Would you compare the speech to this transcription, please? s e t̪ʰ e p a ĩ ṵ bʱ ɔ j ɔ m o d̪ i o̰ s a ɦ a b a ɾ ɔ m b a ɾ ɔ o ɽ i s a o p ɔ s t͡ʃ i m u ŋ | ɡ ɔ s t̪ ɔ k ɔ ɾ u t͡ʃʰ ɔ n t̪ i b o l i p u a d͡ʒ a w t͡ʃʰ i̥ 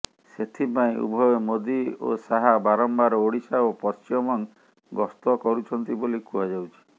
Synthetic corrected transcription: s e t̪ʰ i p a ĩ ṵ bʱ ɔ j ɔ m o d̪ i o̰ s a ɦ a b a ɾ ɔ m b a ɾ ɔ o ɽ i s a o p ɔ s t͡ʃ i m ɔ ŋ | ɡ ɔ s t̪ ɔ k ɔ ɾ u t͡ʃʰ ɔ n t̪ i b o l i k u a d͡ʒ a w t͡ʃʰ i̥

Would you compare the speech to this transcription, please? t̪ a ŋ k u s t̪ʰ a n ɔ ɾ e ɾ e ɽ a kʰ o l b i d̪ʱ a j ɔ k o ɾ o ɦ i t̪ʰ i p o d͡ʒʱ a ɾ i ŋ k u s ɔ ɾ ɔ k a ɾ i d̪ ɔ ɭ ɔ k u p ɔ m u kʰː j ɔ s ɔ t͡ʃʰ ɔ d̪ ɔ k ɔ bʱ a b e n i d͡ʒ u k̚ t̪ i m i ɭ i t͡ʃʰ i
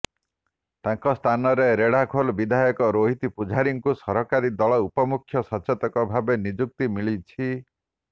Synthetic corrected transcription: t̪ a ŋ k ɔ s t̪ʰ a n ɔ ɾ e ɾ e ɽ a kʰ o l b i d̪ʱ a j ɔ k ɔ ɾ o ɦ i t̪ i p u d͡ʒʱ a ɾ i ŋ k u s ɔ ɾ ɔ k a ɾ i d̪ ɔ ɭ ɔ u p ɔ m u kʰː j ɔ s ɔ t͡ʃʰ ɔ t̪ ɔ k ɔ bʱ a b e n i d͡ʒ u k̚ t̪ i m i ɭ i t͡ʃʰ i

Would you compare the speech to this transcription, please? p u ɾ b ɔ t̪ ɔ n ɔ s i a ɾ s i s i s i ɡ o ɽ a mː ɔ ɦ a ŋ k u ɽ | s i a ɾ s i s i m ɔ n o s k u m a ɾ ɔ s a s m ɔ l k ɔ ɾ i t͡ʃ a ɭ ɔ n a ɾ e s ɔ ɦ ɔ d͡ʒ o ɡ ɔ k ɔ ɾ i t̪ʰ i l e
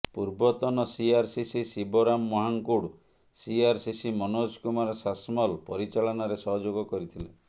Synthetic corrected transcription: p u ɾ b ɔ t̪ ɔ n ɔ s i a ɾ s i s i s i b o ɾ a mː ɔ ɦ a ŋ k u ɽ | s i a ɾ s i s i m ɔ n o s k u m a ɾ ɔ s a s m ɔ l p ɔ ɾ i t͡ʃ a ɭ ɔ n a ɾ e s ɔ ɦ ɔ d͡ʒ o ɡ ɔ k ɔ ɾ i t̪ʰ i l e

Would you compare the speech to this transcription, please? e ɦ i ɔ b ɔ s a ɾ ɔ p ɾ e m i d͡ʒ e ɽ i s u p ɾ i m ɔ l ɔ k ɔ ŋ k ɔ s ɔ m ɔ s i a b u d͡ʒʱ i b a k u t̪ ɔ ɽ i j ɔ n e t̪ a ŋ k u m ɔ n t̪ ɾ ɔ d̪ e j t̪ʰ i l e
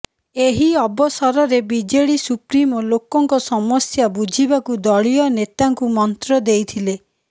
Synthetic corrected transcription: e ɦ i ɔ b ɔ s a ɾ ɔ ɾ e b i d͡ʒ e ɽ i s u p ɾ i m ɔ l o k ɔ ŋ k ɔ s ɔ m ɔ s j a b u d͡ʒʱ i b a k u d̪ ɔ ɭ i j ɔ n e t̪ a ŋ k u m ɔ n t̪ ɾ ɔ d̪ e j t̪ʰ i l e

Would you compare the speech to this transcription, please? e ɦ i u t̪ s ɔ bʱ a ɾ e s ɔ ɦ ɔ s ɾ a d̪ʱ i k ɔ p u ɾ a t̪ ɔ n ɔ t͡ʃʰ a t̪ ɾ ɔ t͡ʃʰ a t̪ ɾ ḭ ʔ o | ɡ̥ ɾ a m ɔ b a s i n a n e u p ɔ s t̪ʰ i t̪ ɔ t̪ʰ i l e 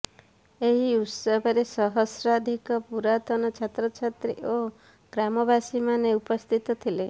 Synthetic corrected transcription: e ɦ i u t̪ s ɔ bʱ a ɾ e s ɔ ɦ ɔ s ɾ a d̪ʱ i k ɔ p u ɾ a t̪ ɔ n ɔ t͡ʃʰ a t̪ ɾ ɔ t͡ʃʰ a t̪ ɾ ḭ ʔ o | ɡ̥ ɾ a m ɔ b a s i m a n e u p ɔ s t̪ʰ i t̪ ɔ t̪ʰ i l e

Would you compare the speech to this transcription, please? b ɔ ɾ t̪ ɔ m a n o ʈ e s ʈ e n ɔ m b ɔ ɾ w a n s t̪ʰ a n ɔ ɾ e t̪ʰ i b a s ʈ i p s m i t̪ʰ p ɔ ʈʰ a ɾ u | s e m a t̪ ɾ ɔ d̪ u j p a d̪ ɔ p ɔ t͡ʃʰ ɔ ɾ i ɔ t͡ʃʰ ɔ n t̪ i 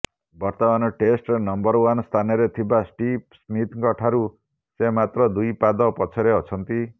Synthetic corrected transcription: b ɔ ɾ t̪ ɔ m a n ɔ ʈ e s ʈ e n ɔ m b ɔ ɾ w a n s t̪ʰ a n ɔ ɾ e t̪ʰ i b a s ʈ i p s m i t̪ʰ k ɔ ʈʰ a ɾ u | s e m a t̪ ɾ ɔ d̪ u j p a d̪ ɔ p ɔ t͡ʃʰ ɔ ɾ e ɔ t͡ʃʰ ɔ n t̪ i

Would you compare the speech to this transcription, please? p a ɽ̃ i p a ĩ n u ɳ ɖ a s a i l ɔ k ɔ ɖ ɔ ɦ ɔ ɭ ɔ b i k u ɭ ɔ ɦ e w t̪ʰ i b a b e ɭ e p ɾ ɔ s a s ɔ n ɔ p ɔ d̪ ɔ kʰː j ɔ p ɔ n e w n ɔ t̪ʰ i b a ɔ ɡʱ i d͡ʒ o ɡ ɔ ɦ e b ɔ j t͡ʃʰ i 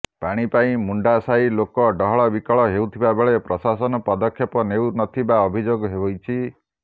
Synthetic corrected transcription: p a ɽ̃ i p a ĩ m u ɳ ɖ a s a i l o k ɔ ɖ ɔ ɦ ɔ ɭ ɔ b i k ɔ ɭ ɔ ɦ e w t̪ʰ i b a b e ɭ e p ɾ ɔ s a s ɔ n ɔ p ɔ d̪ ɔ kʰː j ɔ p ɔ n e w n ɔ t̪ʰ i b a ɔ bʱ i d͡ʒ o ɡ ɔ ɦ e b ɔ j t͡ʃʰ i

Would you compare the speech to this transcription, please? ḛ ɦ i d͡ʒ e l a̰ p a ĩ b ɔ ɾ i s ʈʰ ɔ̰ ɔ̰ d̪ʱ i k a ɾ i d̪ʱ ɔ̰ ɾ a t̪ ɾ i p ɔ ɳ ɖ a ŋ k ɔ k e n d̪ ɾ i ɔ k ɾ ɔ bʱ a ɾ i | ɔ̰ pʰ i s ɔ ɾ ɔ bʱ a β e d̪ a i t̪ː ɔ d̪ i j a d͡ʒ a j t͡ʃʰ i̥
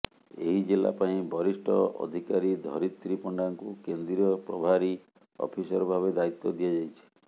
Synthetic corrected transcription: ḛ ɦ i d͡ʒ e l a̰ p a ĩ b ɔ ɾ i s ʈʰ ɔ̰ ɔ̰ d̪ʱ i k a ɾ i d̪ʱ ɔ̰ ɾ i t̪ ɾ i p ɔ ɳ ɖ a ŋ k u k e n d̪ ɾ i ɔ p ɾ ɔ bʱ a ɾ i | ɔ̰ pʰ i s ɔ ɾ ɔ bʱ a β e d̪ a i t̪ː ɔ d̪ i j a d͡ʒ a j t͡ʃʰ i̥

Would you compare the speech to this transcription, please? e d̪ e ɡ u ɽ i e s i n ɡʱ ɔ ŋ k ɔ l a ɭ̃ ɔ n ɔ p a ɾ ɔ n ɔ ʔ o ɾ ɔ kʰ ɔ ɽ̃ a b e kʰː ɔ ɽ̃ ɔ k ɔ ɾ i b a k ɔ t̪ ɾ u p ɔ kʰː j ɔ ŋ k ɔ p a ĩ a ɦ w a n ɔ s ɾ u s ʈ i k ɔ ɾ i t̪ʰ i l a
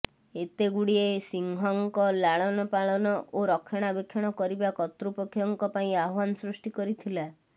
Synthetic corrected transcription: e t̪ e ɡ u ɽ i e s i ŋ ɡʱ ɔ ŋ k ɔ l a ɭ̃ ɔ n ɔ p a ɭ ɔ n ɔ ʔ o ɾ ɔ kʰ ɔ ɽ̃ a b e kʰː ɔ ɽ̃ ɔ k ɔ ɾ i b a k ɔ t̪ ɾ u p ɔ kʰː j ɔ ŋ k ɔ p a ĩ a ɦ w a n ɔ s ɾ u s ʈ i k ɔ ɾ i t̪ʰ i l a

